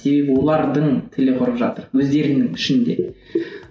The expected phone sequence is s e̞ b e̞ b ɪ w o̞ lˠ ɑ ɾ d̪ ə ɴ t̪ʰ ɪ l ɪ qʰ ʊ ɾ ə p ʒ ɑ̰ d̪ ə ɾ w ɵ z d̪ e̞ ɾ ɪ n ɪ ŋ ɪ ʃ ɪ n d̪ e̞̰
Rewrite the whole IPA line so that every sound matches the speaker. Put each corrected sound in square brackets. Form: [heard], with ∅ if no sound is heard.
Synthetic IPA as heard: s e̞ b e̞ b ɪ w o̞ lˠ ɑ ɾ d̪ ə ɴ t̪ʰ ɪ l ɪ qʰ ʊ ɾ ə p ʒ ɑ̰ [t̪] ə ɾ w ɵ z d̪ e̞ ɾ ɪ n ɪ ŋ ɪ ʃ ɪ n d̪ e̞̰